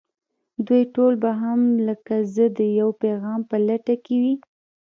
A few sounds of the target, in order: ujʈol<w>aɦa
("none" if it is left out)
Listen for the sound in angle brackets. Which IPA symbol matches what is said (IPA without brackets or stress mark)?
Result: b